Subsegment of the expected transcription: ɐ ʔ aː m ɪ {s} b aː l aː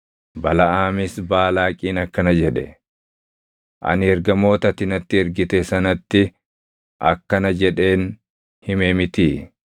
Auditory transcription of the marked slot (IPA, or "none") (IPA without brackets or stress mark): s